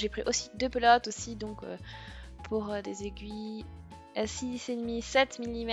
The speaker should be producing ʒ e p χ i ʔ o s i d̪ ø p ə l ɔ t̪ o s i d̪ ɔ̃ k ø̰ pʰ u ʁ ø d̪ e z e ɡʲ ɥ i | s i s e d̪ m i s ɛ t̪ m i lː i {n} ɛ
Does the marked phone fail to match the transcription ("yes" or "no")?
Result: yes